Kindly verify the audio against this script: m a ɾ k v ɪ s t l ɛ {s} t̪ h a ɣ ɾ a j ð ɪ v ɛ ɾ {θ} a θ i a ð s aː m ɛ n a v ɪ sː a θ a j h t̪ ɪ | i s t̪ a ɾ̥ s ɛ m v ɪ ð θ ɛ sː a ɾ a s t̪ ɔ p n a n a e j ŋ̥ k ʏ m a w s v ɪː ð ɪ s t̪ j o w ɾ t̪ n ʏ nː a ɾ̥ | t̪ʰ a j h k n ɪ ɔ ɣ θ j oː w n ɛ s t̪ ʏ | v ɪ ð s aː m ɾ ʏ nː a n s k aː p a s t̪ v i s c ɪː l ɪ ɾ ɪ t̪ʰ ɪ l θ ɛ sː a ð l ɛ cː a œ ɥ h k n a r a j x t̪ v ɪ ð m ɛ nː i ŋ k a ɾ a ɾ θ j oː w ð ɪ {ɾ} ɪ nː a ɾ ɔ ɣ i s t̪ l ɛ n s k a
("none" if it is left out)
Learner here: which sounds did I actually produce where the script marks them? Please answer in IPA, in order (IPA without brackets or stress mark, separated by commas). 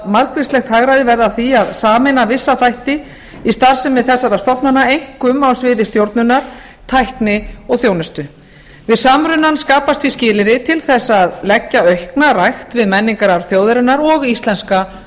x, ð, ɾ